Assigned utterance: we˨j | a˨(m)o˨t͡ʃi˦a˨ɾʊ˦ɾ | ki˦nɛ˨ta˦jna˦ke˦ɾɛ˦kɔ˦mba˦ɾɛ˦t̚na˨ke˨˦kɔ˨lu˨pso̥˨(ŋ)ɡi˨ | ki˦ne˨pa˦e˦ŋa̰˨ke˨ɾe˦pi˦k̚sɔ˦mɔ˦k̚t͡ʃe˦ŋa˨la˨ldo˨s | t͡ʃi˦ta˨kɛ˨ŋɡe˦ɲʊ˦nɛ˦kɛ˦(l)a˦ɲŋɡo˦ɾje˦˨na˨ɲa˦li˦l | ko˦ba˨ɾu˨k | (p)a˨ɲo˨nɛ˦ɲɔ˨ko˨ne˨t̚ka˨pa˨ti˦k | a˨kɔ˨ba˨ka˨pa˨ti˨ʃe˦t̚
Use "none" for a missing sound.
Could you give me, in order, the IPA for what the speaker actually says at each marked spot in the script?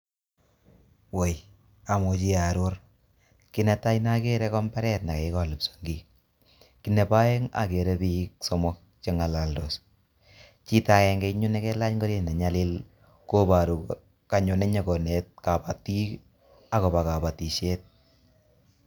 m, ŋ, l, k

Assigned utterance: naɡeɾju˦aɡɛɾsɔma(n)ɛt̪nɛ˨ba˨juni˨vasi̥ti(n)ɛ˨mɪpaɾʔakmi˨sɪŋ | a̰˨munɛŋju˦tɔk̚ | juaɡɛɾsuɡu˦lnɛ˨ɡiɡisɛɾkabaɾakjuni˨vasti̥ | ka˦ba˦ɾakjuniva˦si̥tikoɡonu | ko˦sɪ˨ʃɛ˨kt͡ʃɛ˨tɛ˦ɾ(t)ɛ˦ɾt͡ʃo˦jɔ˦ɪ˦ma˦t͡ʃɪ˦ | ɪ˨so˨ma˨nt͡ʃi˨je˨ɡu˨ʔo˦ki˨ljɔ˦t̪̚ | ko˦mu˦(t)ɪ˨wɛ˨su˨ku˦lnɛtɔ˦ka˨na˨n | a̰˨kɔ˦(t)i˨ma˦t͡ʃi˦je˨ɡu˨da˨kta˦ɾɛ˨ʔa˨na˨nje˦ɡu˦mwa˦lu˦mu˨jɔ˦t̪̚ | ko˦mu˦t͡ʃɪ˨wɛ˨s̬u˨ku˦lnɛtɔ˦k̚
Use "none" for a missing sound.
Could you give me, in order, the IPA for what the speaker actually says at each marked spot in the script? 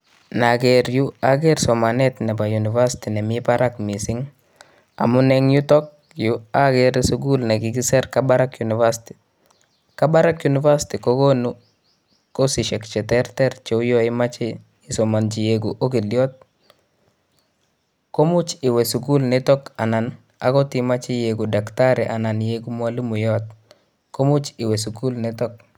n, n, t, t͡ʃ, t

